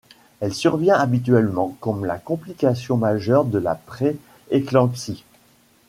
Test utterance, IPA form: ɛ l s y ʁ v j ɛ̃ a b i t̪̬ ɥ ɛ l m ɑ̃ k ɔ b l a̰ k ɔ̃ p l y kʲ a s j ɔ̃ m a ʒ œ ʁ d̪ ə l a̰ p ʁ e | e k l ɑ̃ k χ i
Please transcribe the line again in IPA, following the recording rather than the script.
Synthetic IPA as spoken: ɛ l s y ʁ v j ɛ̃ a b i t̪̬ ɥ ɛ l m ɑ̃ k ɔ m l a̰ k ɔ̃ p l i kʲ a s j ɔ̃ m a ʒ œ ʁ d̪ ə l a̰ p χ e | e k l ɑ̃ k s i

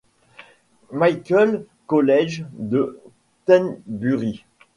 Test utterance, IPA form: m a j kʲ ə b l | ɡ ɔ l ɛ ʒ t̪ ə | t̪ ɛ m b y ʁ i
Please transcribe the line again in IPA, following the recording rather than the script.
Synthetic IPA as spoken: m a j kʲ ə l | k ɔ l ɛ ʒ d̪ ə | t̪ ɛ n b y ʁ i

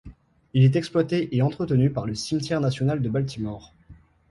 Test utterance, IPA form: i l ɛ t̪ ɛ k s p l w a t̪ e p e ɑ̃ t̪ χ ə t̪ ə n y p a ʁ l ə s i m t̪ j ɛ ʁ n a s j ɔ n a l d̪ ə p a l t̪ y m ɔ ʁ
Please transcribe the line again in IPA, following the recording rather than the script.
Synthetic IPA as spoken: i l ɛ t̪ ɛ k s p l w a t̪ e ʔ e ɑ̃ t̪ χ ə t̪ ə n y p a ʁ l ə s i m t̪ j ɛ ʁ n a s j ɔ n a l d̪ ə b a l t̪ i m ɔ ʁ

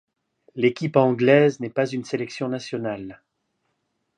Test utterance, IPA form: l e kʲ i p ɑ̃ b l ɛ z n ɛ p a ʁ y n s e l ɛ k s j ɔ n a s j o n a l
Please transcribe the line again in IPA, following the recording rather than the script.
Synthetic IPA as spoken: l e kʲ i p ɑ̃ ɡ l ɛ z n ɛ p a z y n s e l ɛ k s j ɔ̃ n a s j ɔ n a l

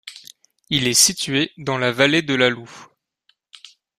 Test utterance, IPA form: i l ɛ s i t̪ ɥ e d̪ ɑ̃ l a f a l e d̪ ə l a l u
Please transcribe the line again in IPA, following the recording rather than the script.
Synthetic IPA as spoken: i l ɛ s i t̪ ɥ e d̪ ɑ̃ l a v a l e d̪ ə l a l u

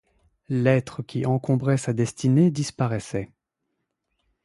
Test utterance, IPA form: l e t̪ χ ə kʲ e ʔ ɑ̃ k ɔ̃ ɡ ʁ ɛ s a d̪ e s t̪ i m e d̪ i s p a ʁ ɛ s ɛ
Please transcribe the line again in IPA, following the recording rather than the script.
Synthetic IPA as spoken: l ɛ t̪ χ ə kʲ i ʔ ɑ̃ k ɔ̃ b ʁ ɛ s a d̪ ɛ s t̪ i n e d̪ i s p a ʁ ɛ s ɛ

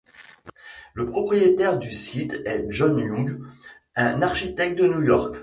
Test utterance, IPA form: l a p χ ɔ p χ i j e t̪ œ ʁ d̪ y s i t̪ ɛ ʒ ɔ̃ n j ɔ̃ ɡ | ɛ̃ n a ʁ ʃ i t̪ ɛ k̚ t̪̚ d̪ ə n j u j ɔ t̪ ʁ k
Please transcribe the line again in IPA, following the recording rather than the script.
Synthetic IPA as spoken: l ə p χ ɔ p χ i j e t̪ ɛ ʁ d̪ y s i t̪ ɛ ʒ ɔ n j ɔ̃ ɡ | ɛ̃ n a ʁ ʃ i t̪ ɛ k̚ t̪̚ d̪ ə n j u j ɔ ʁ k

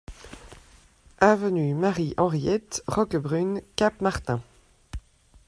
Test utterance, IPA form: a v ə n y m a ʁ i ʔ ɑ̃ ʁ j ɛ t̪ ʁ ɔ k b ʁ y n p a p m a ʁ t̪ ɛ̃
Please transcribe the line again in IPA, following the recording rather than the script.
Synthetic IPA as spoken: a v ə n y m a ʁ i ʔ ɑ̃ ʁ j ɛ t̪ ʁ ɔ k b ʁ y n k a p m a ʁ t̪ ɛ̃

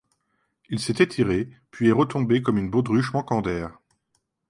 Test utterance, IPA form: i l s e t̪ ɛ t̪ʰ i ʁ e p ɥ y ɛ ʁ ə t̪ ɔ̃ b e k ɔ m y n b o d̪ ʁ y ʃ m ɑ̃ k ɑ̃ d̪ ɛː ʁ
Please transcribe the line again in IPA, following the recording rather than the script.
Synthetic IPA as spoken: i l s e t̪ ɛ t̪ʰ i ʁ e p ɥ i ɛ ʁ ə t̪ ɔ̃ b e k ɔ m y n b o d̪ ʁ y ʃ m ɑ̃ k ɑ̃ d̪ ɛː ʁ

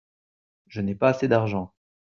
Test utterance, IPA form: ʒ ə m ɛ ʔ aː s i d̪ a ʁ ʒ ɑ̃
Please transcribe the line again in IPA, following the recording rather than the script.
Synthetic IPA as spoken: ʒ ə n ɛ p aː s e d̪ a ʁ ʒ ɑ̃

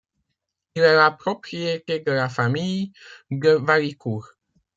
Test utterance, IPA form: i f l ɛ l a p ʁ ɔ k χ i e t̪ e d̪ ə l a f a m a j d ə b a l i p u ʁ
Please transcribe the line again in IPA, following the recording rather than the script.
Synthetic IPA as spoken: i l ɛ l a p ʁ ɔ p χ i e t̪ e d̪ ə l a f a m i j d ə v a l i k u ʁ

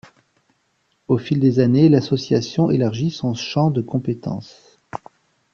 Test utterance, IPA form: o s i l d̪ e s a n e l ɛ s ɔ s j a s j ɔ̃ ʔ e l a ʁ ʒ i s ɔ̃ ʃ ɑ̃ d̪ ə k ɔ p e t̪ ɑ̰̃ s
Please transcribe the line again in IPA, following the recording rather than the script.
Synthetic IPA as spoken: o f i l d̪ e z a n e l a s ɔ s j a s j ɔ̃ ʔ e l a ʁ ʒ i s ɔ̃ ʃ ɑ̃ d̪ ə k ɔ̃ p e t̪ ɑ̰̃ s

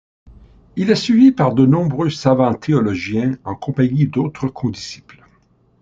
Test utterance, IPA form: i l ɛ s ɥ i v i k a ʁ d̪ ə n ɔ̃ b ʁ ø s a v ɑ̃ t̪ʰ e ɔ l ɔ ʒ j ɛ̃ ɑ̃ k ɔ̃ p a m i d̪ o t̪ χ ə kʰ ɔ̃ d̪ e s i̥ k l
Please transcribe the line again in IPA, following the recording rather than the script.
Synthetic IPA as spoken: i l ɛ s ɥ i v i p a ʁ d̪ ə n ɔ̃ b ʁ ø s a v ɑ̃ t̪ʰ e ɔ l ɔ ʒ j ɛ̃ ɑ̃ k ɔ̃ p a ɲ i d̪ o t̪ χ ə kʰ ɔ̃ d̪ i s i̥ p l

